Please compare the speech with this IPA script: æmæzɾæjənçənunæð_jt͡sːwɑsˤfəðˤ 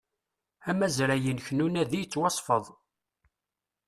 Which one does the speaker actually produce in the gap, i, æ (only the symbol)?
i